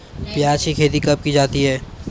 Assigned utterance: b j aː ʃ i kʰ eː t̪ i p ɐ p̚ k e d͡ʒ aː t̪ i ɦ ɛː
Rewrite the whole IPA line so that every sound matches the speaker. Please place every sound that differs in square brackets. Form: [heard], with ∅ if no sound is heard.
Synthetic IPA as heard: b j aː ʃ i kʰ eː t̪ i [k] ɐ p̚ k [i] d͡ʒ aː t̪ i ɦ ɛː